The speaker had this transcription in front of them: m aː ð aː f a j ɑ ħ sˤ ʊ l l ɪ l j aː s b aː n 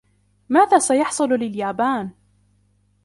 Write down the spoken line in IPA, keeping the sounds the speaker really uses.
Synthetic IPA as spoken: m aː ð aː s a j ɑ ħ sˤ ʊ l l ɪ l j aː b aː n